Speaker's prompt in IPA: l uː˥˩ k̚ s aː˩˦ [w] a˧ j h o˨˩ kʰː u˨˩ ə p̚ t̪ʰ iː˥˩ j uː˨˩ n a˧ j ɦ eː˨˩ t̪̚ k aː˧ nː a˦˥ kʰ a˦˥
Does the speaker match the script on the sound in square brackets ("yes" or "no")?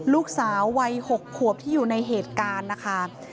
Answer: no